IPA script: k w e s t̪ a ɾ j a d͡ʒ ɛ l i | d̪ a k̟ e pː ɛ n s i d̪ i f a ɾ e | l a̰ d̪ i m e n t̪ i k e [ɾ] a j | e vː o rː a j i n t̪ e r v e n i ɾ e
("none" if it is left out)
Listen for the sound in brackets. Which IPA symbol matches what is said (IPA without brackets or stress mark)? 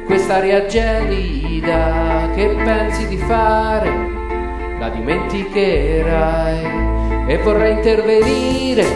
ɾ